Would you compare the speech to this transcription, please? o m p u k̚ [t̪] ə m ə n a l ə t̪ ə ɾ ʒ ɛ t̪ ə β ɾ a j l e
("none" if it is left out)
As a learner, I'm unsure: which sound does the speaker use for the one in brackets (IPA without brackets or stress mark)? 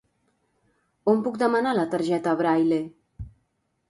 d̪